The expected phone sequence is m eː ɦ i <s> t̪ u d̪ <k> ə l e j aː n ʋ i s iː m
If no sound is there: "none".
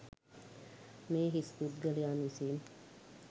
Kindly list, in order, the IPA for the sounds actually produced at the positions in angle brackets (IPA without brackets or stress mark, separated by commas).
s, ɡ